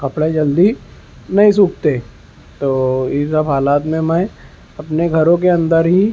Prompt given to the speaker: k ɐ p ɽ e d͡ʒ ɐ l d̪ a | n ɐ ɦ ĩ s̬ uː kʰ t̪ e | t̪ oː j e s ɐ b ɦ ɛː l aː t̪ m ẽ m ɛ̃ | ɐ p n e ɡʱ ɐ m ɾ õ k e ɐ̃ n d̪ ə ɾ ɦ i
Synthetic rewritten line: k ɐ p ɽ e d͡ʒ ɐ l d̪ i | n ɐ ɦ ĩ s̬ uː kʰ t̪ e | t̪ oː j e s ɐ b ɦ aː l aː t̪ m ẽ m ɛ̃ | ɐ p n e ɡʱ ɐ ɾ õ k e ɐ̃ n d̪ ə ɾ ɦ i